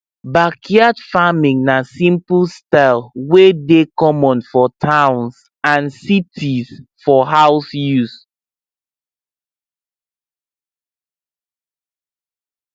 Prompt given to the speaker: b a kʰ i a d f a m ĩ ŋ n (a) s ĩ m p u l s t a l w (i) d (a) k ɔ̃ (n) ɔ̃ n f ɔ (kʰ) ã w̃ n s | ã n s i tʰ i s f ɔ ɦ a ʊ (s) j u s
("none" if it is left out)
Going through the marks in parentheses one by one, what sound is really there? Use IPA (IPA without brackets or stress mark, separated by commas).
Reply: a, e, e, m, tʰ, s